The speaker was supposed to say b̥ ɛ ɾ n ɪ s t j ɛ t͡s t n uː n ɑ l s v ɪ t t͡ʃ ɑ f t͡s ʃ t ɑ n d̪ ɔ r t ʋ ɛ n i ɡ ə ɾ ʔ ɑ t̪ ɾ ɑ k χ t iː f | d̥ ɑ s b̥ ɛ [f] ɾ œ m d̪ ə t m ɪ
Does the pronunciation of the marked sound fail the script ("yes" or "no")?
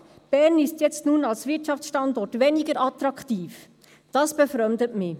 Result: no